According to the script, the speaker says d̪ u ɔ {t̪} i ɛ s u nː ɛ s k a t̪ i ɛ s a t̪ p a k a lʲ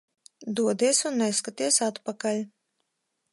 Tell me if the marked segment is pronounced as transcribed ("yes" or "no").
no